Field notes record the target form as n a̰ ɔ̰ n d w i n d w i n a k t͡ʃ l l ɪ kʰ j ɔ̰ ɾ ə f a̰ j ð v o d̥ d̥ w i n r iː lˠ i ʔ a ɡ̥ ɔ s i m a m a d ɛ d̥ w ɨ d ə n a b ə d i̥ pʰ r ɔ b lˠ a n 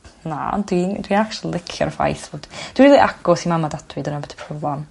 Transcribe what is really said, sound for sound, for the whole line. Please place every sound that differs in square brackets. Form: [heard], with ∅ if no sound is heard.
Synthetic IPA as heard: n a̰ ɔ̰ n d w i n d w i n a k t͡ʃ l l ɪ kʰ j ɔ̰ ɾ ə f a̰ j [θ] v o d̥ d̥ w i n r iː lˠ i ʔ a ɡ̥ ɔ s i m a m a d [a] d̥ w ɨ d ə n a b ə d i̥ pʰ r ɔ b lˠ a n